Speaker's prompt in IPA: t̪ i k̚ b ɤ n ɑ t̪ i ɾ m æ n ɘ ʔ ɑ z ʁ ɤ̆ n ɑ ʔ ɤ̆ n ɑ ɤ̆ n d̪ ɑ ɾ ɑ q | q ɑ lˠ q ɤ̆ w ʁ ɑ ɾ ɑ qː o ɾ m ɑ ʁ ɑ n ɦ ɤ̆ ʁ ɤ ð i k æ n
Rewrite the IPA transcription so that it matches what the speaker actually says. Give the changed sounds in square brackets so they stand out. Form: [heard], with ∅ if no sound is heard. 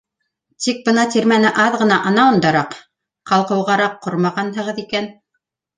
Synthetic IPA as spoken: t̪ i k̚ b ɤ n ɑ t̪ i ɾ m æ n ɘ ʔ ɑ [ð] ʁ ɤ̆ n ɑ ʔ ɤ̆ n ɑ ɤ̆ n d̪ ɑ ɾ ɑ q | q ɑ lˠ q ɤ̆ w ʁ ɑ ɾ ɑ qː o ɾ m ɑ ʁ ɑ n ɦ ɤ̆ ʁ ɤ ð i k æ n